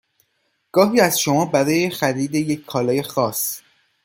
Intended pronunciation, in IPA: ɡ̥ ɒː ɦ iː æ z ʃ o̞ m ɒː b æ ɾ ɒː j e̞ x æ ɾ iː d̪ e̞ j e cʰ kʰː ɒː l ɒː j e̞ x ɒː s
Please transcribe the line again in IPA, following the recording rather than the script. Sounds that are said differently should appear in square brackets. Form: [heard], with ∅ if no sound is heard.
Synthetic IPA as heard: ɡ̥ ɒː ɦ iː æ z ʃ o̞ m ɒː b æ ɾ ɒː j e̞ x æ ɾ iː d̪ e̞ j e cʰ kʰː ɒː l ɒː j e̞ x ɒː s